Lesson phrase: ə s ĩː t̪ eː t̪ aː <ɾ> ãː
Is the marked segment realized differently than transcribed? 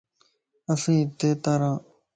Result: no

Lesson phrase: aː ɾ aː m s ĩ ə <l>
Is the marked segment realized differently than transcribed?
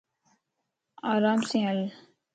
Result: no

